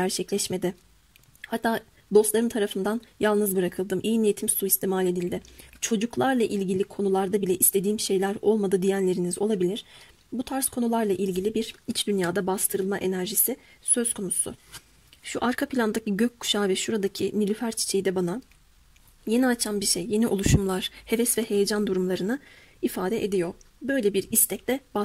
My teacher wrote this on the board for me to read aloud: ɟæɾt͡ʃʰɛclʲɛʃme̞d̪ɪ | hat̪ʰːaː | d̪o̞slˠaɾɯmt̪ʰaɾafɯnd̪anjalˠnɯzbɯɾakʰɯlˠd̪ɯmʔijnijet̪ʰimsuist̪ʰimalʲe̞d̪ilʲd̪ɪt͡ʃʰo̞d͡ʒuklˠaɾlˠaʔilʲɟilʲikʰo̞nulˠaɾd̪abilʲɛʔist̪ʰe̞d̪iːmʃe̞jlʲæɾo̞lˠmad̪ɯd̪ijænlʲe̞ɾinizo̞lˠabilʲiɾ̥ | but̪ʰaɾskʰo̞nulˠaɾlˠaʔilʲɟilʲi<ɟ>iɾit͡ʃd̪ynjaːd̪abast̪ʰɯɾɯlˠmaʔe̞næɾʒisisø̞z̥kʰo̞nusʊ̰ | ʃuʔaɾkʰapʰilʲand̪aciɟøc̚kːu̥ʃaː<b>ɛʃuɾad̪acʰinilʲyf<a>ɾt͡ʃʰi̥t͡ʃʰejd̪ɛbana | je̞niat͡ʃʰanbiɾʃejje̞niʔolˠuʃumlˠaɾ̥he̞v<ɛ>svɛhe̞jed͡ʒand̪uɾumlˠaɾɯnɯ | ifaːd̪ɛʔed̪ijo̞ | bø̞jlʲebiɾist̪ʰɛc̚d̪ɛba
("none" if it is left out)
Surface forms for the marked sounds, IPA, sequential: b, v, æ, ɛ

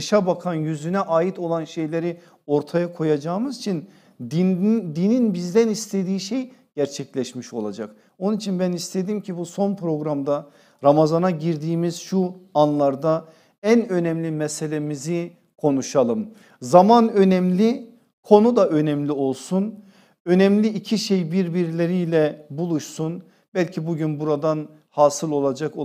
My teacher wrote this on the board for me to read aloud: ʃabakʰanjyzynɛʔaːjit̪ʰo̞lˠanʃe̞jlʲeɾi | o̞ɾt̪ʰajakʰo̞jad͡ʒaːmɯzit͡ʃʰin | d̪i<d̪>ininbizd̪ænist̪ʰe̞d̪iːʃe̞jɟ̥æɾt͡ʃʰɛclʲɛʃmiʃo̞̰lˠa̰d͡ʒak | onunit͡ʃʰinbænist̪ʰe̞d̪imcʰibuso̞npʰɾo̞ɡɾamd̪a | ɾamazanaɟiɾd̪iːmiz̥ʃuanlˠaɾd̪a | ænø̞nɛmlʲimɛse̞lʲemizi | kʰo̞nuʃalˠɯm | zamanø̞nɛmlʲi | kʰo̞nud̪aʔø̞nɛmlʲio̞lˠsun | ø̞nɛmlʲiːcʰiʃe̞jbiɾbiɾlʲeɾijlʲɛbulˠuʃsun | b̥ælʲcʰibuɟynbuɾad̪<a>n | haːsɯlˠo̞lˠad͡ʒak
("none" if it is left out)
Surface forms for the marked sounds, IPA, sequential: d̪, a

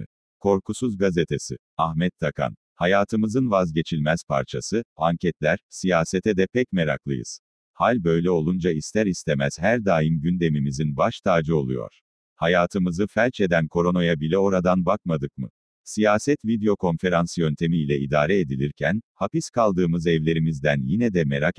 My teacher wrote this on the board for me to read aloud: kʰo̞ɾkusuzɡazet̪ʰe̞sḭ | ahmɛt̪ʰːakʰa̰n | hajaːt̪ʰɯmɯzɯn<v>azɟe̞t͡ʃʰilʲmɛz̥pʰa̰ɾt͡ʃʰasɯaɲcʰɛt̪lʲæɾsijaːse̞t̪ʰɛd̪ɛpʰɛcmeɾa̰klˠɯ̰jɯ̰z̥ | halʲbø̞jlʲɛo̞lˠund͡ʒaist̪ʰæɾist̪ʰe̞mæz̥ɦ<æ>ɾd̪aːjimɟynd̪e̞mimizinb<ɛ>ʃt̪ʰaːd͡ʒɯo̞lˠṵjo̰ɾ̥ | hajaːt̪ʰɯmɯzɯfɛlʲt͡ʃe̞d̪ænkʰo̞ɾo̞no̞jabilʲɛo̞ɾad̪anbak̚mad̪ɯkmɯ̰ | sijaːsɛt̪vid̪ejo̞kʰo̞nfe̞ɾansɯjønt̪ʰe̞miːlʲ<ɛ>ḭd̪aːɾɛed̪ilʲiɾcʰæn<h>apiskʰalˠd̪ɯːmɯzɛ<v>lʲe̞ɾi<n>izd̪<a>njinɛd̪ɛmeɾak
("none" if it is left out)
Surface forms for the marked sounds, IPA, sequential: v, æ, a, ɛ, h, v, m, æ

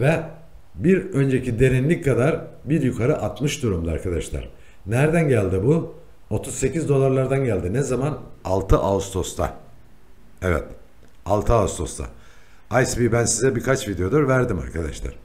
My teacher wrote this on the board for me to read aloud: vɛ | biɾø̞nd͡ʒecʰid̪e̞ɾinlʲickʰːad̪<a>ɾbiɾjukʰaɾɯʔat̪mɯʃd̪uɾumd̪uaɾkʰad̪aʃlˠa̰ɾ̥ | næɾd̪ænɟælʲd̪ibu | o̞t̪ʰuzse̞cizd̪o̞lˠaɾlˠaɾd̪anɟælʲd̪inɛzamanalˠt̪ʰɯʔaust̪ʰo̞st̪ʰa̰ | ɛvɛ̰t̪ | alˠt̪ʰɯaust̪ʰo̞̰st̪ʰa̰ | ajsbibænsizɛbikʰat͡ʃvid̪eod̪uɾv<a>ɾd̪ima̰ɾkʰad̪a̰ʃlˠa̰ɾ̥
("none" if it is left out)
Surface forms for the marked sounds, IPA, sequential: a, æ

